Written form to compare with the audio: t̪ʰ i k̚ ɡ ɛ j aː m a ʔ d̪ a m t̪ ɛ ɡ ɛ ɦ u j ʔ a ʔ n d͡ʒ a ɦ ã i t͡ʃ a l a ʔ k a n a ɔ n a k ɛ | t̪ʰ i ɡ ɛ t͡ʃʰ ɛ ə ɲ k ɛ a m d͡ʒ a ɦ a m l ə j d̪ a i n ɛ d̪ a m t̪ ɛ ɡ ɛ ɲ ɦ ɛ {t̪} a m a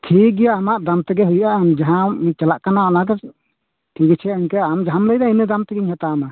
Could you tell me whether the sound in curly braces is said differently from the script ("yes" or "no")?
no